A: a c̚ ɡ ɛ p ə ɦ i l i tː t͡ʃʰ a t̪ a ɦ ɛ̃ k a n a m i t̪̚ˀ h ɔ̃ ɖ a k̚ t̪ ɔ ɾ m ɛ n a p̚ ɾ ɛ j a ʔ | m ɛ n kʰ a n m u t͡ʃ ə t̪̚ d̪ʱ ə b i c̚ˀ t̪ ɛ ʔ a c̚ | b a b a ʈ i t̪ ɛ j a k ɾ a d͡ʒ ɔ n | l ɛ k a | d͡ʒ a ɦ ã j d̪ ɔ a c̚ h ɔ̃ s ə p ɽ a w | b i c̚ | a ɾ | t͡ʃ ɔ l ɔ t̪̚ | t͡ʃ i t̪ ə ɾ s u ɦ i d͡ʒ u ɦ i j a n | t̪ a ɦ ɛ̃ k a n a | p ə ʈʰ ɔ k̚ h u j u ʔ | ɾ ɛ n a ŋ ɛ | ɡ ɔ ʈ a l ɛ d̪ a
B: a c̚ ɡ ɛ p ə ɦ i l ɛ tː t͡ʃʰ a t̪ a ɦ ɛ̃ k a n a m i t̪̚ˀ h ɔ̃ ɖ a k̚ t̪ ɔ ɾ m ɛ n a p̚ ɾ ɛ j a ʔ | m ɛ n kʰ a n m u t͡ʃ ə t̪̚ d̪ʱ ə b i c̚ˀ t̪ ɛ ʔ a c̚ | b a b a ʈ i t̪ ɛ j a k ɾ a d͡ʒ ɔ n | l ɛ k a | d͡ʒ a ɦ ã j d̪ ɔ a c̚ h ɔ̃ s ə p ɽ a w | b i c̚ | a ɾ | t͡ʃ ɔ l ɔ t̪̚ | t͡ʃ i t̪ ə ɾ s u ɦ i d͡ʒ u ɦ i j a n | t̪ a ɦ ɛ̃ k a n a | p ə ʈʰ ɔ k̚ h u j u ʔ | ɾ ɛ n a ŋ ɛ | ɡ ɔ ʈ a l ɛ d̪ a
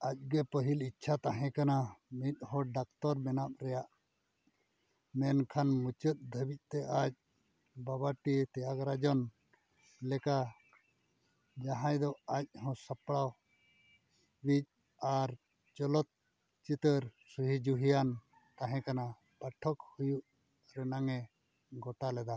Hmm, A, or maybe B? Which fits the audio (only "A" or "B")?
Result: A